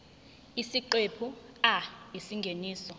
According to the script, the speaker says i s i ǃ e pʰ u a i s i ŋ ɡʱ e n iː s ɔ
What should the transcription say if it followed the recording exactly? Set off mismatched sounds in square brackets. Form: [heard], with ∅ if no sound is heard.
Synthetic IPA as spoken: i s i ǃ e pʰ u a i s i ŋ ɡʱ e n iː s ɔ